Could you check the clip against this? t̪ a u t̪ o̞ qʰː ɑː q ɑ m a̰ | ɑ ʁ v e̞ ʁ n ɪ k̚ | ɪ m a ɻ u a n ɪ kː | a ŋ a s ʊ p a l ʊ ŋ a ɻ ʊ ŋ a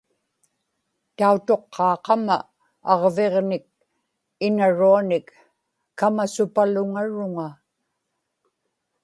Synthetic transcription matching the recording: t̪ a u t̪ o̞ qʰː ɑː q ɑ m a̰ | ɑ ʁ v e̞ ʁ n ɪ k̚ | ɪ n a ɻ u a n ɪ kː | a m a s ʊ p a l ʊ ŋ a ɻ ʊ ŋ a

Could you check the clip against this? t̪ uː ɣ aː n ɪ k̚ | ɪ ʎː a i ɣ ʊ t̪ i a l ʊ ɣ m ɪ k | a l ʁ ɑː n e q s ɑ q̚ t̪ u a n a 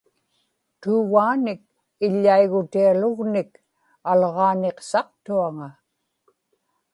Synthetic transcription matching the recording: t̪ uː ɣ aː n ɪ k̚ | ɪ ʎː a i ɣ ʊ t̪ i a l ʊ ɣ n ɪ k | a l ʁ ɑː n e q s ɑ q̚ t̪ u a ŋ a

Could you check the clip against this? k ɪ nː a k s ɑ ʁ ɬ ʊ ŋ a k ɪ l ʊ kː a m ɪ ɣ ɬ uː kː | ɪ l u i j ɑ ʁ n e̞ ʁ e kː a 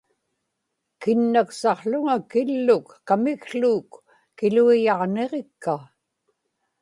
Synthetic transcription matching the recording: k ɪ nː a k s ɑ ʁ ɬ ʊ ŋ a k ɪ lː ʊ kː a m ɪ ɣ ɬ uː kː | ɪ l u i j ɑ ʁ n e̞ ʁ e kː a

